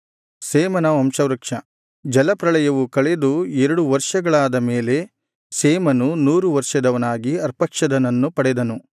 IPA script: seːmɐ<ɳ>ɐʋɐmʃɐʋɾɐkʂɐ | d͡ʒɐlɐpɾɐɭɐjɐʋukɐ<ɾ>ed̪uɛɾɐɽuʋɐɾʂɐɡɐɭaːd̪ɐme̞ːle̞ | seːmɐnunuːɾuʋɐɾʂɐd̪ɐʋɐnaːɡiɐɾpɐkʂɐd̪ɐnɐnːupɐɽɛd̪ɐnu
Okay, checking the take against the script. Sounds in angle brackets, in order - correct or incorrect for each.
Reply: incorrect, incorrect

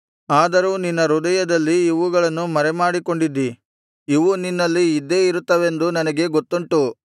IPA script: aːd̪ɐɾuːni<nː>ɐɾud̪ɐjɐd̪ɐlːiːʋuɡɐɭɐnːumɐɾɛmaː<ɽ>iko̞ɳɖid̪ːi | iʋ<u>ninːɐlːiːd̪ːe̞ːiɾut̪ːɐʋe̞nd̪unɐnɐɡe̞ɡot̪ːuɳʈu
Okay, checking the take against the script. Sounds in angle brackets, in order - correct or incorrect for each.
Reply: correct, correct, correct

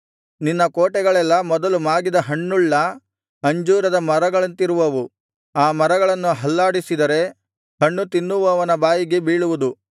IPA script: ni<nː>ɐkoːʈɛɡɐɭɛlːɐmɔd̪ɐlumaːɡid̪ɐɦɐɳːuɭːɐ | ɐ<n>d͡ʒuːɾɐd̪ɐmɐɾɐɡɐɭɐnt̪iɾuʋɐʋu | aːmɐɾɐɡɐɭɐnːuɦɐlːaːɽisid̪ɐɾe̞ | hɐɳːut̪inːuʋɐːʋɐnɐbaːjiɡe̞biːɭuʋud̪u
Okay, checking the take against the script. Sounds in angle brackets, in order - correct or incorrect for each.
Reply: correct, incorrect

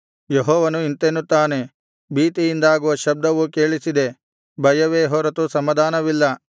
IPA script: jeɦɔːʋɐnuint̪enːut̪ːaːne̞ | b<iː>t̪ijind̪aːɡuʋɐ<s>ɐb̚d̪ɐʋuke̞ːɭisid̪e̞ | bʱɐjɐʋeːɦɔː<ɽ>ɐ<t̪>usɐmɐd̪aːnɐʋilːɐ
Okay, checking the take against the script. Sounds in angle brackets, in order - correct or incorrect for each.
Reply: correct, incorrect, incorrect, correct

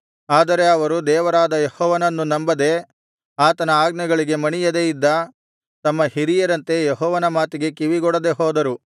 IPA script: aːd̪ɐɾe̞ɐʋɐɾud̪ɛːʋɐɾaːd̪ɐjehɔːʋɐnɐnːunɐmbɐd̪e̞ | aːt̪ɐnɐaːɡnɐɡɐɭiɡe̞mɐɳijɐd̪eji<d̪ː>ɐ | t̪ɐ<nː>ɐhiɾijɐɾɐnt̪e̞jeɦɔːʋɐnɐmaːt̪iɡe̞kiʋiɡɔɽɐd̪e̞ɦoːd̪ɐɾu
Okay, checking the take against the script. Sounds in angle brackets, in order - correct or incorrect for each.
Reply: correct, incorrect

